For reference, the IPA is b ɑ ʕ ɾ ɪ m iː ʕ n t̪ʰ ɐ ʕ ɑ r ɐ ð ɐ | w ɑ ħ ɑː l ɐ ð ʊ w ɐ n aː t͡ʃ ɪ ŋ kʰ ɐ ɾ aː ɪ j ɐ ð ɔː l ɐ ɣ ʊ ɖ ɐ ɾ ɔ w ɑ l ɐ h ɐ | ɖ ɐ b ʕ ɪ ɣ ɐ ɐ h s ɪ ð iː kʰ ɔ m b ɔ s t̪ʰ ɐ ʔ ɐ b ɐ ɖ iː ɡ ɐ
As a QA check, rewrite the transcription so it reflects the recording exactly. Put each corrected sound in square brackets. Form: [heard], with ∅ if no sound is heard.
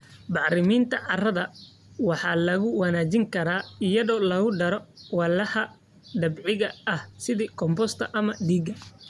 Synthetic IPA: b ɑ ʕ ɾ ɪ m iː [∅] n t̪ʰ ɐ ʕ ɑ r ɐ ð ɐ | w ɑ ħ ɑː l ɐ [ɣ] ʊ w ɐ n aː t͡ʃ ɪ ŋ kʰ ɐ ɾ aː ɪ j ɐ ð ɔː l ɐ ɣ ʊ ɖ ɐ ɾ ɔ w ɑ l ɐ h ɐ | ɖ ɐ b ʕ ɪ ɣ ɐ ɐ h s ɪ ð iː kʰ ɔ m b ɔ s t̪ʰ ɐ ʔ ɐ [m] ɐ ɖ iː ɡ ɐ